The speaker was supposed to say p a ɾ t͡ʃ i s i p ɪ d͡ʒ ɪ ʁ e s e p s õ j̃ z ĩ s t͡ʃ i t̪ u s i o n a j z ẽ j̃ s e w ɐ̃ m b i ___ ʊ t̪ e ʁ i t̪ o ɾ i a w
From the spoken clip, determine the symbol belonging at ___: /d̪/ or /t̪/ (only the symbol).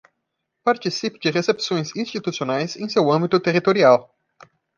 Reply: t̪